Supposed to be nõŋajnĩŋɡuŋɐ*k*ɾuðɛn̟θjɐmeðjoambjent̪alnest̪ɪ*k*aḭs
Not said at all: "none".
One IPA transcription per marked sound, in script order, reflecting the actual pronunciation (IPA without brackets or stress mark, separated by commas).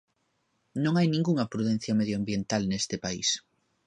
p, p